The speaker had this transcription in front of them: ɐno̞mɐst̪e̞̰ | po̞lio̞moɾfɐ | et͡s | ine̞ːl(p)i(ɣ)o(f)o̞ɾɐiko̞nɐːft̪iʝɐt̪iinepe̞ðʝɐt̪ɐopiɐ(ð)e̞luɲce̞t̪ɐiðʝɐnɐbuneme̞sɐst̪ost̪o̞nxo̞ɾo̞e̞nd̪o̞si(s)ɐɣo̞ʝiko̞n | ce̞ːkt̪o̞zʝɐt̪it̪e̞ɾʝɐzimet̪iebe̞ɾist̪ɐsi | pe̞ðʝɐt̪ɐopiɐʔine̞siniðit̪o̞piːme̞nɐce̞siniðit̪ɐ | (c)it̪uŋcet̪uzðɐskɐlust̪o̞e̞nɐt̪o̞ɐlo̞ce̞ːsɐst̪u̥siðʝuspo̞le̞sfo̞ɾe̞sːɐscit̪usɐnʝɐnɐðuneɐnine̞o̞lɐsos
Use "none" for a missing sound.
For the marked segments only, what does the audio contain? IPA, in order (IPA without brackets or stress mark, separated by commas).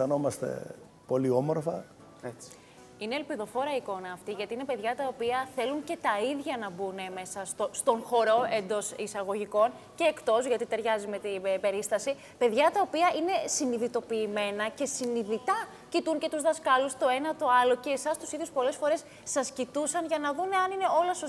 p, ð, f, θ, s, c